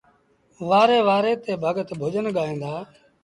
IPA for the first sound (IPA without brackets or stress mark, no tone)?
ʋ